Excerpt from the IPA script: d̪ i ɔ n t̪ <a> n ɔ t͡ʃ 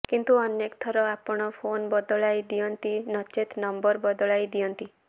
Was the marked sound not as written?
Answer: yes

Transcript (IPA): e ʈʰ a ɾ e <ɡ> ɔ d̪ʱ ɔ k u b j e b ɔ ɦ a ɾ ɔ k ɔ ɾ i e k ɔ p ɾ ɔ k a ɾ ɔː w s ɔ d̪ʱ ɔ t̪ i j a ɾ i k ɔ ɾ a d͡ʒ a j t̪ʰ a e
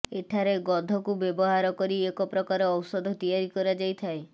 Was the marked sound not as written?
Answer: no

